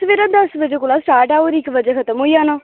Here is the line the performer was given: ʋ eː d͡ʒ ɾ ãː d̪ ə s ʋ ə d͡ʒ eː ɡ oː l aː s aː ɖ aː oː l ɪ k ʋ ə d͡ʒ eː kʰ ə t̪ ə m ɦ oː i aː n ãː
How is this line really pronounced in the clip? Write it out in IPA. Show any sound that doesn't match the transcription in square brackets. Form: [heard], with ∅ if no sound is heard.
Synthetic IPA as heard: ʋ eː [∅] ɾ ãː d̪ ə s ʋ ə d͡ʒ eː [k] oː l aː s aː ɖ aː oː [ɾ] ɪ k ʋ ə d͡ʒ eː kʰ ə t̪ ə m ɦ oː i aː n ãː